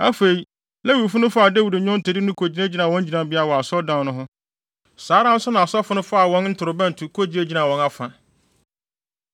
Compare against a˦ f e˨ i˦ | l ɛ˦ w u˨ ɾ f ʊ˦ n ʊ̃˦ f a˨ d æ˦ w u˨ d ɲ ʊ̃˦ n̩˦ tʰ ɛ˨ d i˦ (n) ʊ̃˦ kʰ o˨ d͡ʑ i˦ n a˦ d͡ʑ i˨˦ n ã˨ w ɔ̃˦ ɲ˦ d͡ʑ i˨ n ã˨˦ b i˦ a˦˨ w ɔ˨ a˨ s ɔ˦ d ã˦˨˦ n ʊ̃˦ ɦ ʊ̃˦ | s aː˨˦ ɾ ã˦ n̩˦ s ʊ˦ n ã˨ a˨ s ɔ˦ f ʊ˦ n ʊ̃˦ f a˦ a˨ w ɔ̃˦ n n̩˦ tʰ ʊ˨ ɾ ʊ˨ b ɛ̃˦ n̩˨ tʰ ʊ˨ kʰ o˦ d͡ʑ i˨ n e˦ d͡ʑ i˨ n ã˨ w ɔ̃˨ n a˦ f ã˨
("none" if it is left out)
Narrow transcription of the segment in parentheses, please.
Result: n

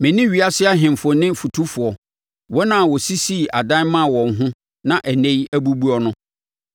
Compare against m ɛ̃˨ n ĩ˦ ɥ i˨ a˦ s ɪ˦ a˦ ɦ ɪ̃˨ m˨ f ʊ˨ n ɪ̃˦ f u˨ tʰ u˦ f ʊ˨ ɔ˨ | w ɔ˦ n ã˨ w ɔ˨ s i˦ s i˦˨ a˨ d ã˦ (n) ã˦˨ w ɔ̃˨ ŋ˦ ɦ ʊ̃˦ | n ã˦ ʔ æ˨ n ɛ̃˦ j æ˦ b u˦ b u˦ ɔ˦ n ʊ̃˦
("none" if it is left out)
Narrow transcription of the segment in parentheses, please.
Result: m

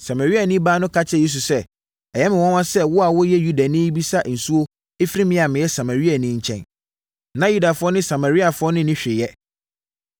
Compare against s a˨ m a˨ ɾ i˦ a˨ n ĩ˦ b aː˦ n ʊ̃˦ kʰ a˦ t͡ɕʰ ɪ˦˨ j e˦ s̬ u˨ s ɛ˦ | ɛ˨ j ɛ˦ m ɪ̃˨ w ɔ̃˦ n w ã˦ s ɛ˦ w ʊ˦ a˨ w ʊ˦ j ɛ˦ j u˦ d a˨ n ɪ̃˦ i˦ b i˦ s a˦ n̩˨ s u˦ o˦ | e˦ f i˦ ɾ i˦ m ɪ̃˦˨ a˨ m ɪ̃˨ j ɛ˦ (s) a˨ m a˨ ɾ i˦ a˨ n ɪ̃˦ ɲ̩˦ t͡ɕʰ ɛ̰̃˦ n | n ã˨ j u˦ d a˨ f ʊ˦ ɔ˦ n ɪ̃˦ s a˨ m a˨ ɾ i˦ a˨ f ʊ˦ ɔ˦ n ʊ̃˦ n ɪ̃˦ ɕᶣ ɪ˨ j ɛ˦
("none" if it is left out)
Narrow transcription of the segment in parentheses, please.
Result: s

